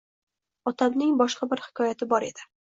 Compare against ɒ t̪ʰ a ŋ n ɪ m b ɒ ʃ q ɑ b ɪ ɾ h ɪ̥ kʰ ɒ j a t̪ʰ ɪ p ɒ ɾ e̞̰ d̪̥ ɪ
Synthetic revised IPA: ɒ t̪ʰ a m n ɪ ŋ b ɒ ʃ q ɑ b ɪ ɾ h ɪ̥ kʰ ɒ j a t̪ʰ ɪ b ɒ ɾ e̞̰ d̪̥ ɪ